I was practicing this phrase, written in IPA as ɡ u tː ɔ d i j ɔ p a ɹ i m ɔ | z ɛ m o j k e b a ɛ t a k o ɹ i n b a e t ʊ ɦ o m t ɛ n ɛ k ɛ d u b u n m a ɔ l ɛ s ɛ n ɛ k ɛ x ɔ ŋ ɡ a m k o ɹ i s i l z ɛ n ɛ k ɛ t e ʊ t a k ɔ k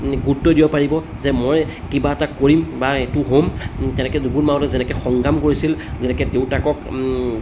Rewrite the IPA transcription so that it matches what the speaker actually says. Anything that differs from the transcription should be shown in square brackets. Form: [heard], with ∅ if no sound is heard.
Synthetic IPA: ɡ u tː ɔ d i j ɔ p a ɹ i [b] ɔ | z ɛ m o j k [i] b a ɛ t a k o ɹ i [m] b a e t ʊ ɦ o m t ɛ n ɛ k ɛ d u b u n m a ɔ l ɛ [z] ɛ n ɛ k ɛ x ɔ ŋ ɡ a m k o ɹ i s i l z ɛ n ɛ k ɛ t e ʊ t a k ɔ k